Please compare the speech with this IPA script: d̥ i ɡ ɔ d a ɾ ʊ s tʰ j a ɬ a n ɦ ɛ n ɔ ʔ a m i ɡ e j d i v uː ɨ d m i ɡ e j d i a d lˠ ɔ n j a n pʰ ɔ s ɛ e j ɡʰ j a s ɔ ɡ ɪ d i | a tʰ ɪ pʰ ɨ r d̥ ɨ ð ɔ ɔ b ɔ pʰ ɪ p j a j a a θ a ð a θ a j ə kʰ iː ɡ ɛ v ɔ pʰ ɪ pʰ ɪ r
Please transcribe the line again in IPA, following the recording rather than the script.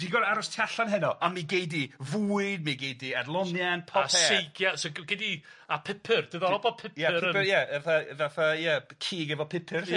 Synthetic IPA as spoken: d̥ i ɡ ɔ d a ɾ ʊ s tʰ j a ɬ a n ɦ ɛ n ɔ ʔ a m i ɡ e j d i v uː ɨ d m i ɡ e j d i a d lˠ ɔ n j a n pʰ ɔ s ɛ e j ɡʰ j a s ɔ ɡ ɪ d i | a pʰ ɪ pʰ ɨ r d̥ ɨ ð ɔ ɔ b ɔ pʰ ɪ p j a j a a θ a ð a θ a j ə kʰ iː ɡ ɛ v ɔ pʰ ɪ pʰ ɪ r

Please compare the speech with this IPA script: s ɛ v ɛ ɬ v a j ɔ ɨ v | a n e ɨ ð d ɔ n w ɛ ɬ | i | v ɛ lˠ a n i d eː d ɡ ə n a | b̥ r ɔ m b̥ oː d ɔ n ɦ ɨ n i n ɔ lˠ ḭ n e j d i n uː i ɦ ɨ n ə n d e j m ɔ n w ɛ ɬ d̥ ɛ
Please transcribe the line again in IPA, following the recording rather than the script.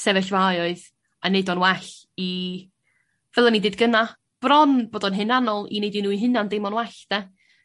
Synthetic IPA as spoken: s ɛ v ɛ ɬ v a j ɔ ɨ ð | a n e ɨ d ɔ n w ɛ ɬ | i | v ɛ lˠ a n i d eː d ɡ ə n a | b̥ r ɔ n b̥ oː d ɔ n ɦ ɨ n a n ɔ lˠ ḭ n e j d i n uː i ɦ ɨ n a n d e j m ɔ n w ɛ ɬ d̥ ɛ

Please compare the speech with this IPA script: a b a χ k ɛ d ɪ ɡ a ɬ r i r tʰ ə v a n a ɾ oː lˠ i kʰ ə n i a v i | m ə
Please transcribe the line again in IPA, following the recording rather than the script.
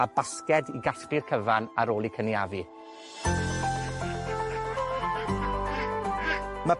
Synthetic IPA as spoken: a b a s k ɛ d i ɡ a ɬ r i r kʰ ə v a n a ɾ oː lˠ i kʰ ə n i a v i | m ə

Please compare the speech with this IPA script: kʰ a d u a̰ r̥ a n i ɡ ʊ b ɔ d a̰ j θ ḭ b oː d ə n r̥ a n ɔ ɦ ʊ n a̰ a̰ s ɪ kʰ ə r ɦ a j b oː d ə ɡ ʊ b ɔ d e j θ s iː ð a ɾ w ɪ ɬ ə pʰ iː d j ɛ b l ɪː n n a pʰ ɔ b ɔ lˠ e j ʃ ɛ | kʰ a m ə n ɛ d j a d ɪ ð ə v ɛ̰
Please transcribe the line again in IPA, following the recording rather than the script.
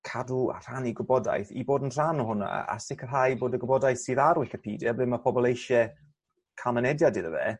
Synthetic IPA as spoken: kʰ a d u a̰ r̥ a n i ɡ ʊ b ɔ d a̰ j θ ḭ b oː d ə n r̥ a n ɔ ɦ ʊ n a̰ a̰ s ɪ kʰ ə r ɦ a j b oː d ə ɡ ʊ b ɔ d a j θ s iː ð a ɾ w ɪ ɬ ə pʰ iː d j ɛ b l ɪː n m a pʰ ɔ b ɔ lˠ e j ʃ ɛ | kʰ a m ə n ɛ d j a d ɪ ð ə v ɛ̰

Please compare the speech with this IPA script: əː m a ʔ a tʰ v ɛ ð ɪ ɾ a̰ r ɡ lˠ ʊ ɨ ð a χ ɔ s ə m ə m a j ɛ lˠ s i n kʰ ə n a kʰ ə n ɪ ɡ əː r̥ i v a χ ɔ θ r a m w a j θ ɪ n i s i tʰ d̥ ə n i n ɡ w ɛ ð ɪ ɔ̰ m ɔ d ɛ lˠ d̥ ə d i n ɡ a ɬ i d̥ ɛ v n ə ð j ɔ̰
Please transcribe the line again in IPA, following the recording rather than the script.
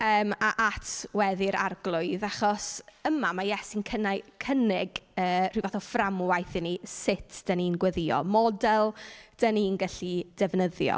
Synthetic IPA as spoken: əː m a ʔ a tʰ w ɛ ð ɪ ɾ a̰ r ɡ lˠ ʊ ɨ ð a χ ɔ s ə m a m a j ɛ s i n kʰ ə n a kʰ ə n ɪ ɡ əː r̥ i v a θ ɔ f r a m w a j θ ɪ n i s ɪ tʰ d̥ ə n i n ɡ w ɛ ð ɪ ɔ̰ m ɔ d ɛ lˠ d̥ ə n i n ɡ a ɬ i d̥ ɛ v n ə ð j ɔ̰

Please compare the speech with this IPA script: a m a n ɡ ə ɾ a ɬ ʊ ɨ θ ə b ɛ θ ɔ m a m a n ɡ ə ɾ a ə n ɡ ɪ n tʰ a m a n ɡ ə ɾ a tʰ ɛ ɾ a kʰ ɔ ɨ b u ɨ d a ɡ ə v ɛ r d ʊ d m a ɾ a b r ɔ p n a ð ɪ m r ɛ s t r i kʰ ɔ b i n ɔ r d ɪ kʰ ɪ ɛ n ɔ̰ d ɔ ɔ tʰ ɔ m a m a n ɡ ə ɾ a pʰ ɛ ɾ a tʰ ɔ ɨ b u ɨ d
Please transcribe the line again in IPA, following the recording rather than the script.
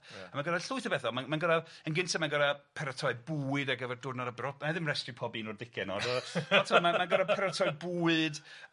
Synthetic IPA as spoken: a m a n ɡ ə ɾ a ɬ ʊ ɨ θ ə b ɛ θ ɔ m a m a n ɡ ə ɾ a ə n ɡ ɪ n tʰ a m a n ɡ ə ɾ a pʰ ɛ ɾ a tʰ ɔ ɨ b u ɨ d a ɡ ə v ɛ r d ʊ d n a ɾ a b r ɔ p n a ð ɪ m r ɛ s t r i pʰ ɔ b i n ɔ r d ɪ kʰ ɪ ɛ n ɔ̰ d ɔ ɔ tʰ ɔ m a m a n ɡ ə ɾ a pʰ ɛ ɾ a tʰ ɔ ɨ b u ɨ d

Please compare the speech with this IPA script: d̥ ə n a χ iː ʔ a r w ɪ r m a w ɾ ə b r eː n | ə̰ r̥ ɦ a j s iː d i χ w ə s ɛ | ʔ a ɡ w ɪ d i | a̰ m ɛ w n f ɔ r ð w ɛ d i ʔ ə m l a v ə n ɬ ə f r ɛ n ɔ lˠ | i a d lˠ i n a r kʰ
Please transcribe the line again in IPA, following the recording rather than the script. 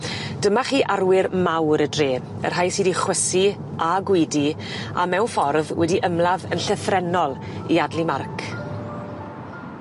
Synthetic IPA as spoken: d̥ ə m a χ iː ʔ a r w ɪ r m a w ɾ ə d r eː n | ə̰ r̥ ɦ a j s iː d i χ w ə s i | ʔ a ɡ w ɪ d i | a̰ m ɛ w n f ɔ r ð w ɛ d i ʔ ə m l a v ə n ɬ ə θ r ɛ n ɔ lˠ | i a d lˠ i m a r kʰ

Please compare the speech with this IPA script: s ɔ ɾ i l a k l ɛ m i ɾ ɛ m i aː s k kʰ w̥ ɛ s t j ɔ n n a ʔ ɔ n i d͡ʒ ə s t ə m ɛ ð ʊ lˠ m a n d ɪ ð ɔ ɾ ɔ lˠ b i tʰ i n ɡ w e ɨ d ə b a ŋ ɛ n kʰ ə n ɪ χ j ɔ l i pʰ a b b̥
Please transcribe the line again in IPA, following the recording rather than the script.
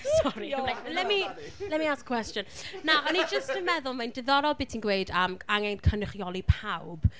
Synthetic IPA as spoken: s ɔ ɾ i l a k l ɛ m i l ɛ m i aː s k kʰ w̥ ɛ s t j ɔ n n a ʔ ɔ n i d͡ʒ ə s t ə m ɛ ð ʊ lˠ m a n d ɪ ð ɔ ɾ ɔ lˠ b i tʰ i n ɡ w e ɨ d ə m a ŋ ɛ n kʰ ə n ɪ χ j ɔ l i pʰ a w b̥

